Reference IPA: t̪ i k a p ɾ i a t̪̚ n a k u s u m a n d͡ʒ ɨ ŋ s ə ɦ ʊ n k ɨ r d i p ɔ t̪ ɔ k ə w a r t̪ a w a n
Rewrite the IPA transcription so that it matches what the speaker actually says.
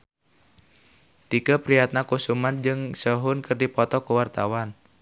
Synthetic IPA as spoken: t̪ i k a p ɾ i a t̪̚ n a k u s u m a n d͡ʒ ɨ ŋ s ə ɦ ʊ n k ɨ r d i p ɔ t̪ ɔ k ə w a r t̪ a w a n